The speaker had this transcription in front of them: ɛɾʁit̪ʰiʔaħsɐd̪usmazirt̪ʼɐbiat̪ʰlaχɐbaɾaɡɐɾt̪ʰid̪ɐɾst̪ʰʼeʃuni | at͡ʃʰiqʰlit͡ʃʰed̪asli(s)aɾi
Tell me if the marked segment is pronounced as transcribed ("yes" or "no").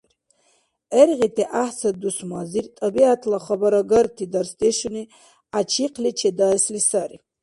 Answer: yes